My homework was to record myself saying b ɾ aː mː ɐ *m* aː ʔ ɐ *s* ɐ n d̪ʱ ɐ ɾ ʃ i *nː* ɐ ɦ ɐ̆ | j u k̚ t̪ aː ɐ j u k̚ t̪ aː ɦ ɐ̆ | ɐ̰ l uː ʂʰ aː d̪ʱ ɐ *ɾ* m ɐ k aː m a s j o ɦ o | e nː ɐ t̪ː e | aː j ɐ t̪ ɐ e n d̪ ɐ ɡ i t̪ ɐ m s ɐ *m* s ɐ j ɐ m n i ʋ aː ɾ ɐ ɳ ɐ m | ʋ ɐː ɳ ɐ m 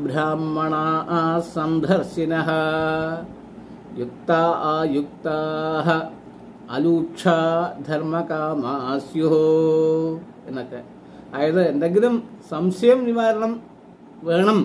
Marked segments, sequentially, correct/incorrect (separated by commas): incorrect, correct, incorrect, correct, correct